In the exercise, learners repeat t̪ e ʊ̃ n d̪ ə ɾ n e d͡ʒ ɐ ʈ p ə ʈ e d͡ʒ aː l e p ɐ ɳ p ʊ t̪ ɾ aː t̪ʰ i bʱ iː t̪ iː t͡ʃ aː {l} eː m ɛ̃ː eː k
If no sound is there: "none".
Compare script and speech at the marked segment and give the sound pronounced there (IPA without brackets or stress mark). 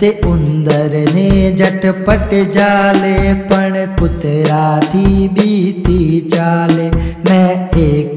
l